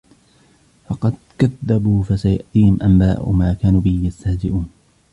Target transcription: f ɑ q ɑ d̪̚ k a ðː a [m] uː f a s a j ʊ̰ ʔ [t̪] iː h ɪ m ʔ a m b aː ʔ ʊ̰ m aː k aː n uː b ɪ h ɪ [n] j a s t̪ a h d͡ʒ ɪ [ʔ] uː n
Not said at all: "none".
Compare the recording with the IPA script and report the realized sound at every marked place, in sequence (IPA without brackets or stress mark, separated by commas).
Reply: b, t̪, none, ʔ